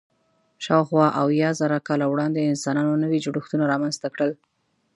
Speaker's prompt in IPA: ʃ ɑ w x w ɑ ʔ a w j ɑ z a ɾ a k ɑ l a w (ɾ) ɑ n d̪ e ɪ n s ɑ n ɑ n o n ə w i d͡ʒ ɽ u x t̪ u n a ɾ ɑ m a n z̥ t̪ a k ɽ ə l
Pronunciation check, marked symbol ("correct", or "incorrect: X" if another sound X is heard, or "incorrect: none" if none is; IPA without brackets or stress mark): incorrect: ɽ